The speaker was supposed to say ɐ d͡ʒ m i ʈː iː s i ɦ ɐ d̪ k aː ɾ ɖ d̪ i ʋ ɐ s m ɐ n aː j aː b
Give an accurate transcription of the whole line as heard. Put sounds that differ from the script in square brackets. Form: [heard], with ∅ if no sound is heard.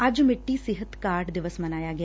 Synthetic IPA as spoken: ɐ d͡ʒ m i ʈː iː s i ɦ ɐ [t̪] k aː ɾ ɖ d̪ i ʋ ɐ s m ɐ n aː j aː [ɡ]